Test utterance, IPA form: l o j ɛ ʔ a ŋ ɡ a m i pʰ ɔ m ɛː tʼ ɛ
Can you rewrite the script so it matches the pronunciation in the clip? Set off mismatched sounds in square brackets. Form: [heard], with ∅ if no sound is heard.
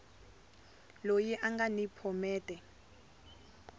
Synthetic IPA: l o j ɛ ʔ a ŋ ɡ a [n] i pʰ ɔ m ɛː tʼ ɛ